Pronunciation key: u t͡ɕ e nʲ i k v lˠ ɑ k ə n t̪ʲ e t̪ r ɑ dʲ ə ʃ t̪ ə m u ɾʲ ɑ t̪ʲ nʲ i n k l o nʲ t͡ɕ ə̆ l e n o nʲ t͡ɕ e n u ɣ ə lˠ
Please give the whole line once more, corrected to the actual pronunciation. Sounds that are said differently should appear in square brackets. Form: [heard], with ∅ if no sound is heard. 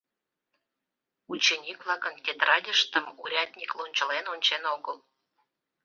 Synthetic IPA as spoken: u t͡ɕ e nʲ i k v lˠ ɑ k ə n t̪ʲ e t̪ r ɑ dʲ ə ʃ t̪ ə m u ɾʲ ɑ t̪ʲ nʲ i [∅] k l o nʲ t͡ɕ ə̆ l e n o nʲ t͡ɕ e n [o] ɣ ə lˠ